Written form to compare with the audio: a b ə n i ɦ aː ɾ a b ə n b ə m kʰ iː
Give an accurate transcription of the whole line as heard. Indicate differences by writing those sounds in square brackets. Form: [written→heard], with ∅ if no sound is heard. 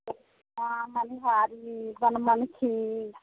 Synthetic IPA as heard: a [b→m] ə n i ɦ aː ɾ [a→i] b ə n [b→m] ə [m→n] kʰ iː